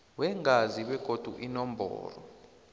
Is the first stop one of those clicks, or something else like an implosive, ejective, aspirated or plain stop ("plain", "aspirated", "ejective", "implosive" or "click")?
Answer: implosive